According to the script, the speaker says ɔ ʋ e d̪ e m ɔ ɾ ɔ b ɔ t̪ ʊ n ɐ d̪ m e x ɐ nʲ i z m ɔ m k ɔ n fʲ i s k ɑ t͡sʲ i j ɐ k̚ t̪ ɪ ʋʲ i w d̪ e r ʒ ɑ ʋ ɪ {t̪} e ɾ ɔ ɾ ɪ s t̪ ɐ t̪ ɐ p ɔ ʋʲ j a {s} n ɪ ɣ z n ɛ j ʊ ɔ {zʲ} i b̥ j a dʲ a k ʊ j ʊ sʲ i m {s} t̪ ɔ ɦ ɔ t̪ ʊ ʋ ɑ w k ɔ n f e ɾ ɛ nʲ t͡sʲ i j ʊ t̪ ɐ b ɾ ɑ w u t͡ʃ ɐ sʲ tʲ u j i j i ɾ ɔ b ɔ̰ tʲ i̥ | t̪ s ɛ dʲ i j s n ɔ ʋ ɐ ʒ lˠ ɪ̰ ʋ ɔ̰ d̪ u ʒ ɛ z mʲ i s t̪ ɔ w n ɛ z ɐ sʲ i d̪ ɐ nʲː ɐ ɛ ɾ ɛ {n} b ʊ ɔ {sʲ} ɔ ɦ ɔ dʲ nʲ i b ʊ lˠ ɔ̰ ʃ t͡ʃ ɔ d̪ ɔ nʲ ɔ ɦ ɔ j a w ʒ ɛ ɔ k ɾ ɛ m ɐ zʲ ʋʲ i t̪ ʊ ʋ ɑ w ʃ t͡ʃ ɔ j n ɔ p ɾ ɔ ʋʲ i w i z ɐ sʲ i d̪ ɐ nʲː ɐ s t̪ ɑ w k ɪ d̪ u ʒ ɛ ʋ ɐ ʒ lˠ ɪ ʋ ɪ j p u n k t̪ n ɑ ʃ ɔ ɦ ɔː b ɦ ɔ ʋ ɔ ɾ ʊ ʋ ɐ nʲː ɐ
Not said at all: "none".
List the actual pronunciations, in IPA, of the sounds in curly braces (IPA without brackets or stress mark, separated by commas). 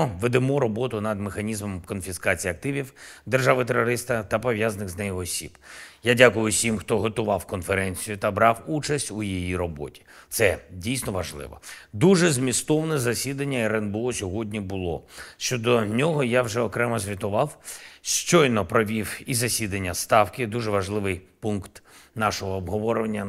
t̪, z, sʲ, x, n, sʲ